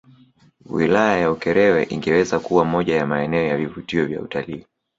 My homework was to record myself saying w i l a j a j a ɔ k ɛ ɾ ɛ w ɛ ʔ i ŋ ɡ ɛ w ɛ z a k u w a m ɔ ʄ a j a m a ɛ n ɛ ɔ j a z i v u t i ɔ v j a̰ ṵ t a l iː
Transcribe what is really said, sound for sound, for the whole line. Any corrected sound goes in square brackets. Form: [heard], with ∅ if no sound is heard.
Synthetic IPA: w i l a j a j a [u] k ɛ ɾ ɛ w ɛ ʔ i ŋ ɡ ɛ w ɛ z a k u w a m ɔ ʄ a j a m a ɛ n ɛ ɔ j a [v] i v u t i ɔ v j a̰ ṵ t a l iː